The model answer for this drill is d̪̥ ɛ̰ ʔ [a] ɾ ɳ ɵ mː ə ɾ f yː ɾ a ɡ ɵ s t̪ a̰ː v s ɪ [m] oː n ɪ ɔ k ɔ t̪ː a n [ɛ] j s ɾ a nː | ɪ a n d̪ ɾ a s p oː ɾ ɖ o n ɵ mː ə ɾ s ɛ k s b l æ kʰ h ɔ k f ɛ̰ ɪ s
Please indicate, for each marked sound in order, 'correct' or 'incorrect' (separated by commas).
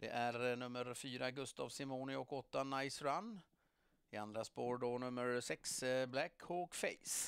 incorrect, correct, incorrect